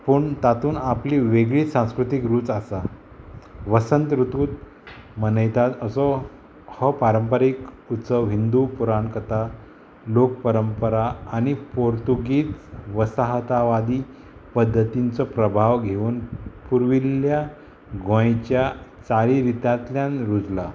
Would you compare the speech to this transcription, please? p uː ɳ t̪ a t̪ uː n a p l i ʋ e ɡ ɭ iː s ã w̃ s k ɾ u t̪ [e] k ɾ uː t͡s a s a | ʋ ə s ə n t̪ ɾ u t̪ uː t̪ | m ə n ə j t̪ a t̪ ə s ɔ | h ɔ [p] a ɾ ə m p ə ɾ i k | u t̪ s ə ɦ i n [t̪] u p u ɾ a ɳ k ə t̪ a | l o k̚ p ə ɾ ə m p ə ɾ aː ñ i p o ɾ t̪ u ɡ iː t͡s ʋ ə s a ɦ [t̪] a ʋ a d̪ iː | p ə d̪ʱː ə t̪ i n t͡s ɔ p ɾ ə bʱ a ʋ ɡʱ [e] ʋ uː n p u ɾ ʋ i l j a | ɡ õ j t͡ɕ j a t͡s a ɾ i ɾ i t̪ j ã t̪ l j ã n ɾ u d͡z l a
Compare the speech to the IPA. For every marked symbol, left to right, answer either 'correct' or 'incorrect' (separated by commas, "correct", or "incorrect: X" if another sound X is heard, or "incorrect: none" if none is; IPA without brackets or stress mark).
incorrect: i, correct, incorrect: d̪, correct, correct